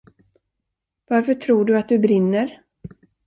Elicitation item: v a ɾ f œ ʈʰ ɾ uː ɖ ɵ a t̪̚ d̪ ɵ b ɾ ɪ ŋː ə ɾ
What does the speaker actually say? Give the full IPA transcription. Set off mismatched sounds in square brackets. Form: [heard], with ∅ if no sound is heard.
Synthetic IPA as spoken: v a ɾ f œ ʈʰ ɾ uː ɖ ɵ a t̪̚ d̪ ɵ b ɾ ɪ [nː] ə ɾ